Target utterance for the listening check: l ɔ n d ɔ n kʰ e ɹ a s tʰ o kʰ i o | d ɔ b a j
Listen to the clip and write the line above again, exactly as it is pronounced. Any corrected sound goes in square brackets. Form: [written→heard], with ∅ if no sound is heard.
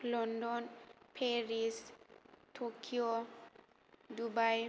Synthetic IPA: l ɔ n d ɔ n [kʰ→pʰ] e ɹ [a→i] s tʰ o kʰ i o | d [ɔ→u] b a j